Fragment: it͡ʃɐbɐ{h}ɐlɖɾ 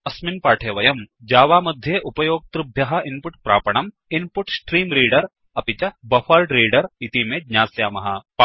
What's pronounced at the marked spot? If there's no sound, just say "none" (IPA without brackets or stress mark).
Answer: f